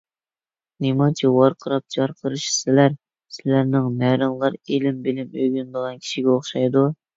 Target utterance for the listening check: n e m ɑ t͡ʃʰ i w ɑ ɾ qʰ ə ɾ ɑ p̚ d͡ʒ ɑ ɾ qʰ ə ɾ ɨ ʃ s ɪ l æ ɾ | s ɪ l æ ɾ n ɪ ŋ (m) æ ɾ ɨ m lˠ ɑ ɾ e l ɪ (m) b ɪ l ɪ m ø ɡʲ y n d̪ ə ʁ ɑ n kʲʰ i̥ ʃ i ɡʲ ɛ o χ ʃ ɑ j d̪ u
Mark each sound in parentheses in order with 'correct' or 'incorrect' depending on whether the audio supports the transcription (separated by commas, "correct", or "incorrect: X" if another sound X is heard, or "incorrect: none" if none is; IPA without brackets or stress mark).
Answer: correct, correct